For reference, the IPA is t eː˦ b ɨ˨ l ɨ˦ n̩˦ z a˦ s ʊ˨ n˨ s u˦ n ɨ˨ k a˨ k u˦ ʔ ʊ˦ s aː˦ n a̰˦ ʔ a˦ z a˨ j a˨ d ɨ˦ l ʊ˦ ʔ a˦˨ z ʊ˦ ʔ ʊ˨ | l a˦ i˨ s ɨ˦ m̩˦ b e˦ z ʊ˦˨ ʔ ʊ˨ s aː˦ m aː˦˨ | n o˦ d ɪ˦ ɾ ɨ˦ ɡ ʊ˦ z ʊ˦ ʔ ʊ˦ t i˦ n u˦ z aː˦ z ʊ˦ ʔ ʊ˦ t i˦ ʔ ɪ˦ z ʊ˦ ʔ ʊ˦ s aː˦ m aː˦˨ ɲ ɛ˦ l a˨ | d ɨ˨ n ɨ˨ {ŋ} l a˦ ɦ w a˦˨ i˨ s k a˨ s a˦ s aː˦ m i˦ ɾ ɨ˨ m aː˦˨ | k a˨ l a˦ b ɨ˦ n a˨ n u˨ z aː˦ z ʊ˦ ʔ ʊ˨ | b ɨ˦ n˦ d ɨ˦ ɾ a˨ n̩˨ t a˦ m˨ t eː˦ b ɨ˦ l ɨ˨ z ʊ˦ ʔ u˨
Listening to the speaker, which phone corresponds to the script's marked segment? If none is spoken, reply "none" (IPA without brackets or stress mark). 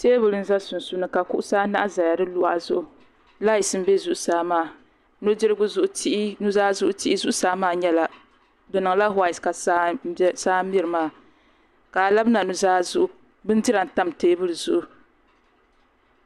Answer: ŋ